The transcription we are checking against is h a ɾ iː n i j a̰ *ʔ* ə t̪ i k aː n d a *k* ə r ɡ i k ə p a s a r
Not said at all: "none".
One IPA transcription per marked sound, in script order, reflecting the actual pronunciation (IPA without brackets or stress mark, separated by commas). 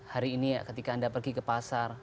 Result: k, p